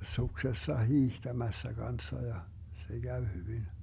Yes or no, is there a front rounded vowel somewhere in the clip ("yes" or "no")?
yes